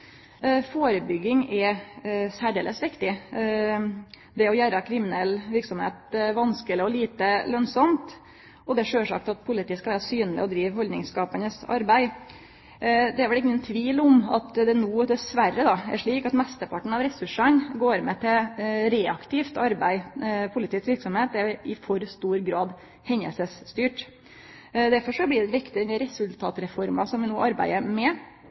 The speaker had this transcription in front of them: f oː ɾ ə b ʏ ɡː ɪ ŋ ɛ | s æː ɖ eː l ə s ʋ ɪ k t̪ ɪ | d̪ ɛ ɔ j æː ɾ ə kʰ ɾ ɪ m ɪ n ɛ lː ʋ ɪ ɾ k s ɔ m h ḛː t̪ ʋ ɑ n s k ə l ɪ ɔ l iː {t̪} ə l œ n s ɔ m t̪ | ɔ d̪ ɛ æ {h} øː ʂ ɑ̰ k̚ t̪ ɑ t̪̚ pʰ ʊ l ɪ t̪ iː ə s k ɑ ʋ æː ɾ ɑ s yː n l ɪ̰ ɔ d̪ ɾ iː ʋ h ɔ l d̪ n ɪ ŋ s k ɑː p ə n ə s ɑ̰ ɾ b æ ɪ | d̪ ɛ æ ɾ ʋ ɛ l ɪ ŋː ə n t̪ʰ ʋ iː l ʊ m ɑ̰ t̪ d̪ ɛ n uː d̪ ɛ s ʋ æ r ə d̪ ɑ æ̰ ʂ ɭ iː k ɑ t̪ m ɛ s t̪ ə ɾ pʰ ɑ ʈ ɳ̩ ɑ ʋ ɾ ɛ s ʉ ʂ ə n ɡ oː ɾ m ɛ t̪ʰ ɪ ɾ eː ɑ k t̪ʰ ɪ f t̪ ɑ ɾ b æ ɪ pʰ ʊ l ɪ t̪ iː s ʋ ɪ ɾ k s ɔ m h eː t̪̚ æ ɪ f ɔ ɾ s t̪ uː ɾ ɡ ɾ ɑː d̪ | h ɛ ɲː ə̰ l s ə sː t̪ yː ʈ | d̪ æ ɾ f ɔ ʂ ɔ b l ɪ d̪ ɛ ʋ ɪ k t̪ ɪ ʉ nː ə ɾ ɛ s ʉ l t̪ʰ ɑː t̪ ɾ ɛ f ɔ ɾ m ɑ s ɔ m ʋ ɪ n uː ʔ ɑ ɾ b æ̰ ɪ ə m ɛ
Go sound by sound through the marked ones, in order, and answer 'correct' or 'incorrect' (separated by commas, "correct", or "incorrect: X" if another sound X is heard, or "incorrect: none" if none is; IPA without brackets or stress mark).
correct, incorrect: ʂ